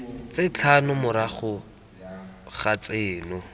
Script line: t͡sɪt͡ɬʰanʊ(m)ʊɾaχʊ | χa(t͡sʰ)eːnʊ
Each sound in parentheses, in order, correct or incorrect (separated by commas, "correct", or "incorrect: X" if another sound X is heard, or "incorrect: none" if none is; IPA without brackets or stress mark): correct, incorrect: t͡s